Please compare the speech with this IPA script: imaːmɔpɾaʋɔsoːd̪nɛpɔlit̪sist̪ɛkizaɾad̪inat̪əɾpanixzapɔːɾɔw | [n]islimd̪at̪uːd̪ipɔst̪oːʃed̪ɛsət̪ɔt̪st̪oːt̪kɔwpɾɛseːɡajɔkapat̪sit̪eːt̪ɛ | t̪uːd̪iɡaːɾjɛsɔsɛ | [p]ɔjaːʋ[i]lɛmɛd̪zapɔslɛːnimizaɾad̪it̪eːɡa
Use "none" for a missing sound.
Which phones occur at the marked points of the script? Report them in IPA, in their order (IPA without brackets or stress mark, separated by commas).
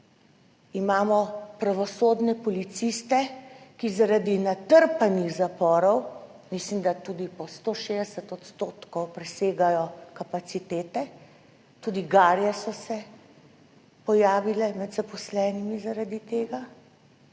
m, p, i